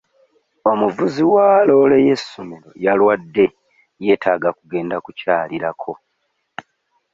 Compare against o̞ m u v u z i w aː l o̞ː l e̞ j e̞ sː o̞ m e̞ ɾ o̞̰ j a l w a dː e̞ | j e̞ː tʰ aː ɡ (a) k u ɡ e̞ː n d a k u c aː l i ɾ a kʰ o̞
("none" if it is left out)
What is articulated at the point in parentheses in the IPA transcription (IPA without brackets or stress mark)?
a